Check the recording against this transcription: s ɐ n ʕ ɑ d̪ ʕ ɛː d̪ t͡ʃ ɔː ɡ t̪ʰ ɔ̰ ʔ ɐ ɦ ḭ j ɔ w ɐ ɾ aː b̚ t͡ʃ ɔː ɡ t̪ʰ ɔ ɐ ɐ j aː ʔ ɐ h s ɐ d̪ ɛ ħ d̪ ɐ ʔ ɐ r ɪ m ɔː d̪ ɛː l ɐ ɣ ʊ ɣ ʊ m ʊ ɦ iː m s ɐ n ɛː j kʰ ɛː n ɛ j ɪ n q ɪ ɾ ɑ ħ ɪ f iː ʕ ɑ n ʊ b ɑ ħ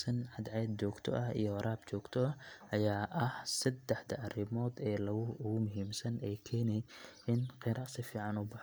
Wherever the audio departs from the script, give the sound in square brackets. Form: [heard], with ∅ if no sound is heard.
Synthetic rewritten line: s ɐ n ʕ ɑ d̪ ʕ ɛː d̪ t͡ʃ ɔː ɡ t̪ʰ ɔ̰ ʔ ɐ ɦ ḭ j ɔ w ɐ ɾ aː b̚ t͡ʃ ɔː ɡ t̪ʰ ɔ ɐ ɐ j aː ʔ ɐ h s ɐ d̪ ɛ ħ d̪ ɐ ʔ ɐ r ɪ m ɔː d̪ ɛː l ɐ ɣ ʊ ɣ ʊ m ʊ ɦ iː m s ɐ n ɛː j kʰ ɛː n ɛ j ɪ n q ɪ ɾ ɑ [s] ɪ f iː ʕ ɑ n ʊ b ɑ ħ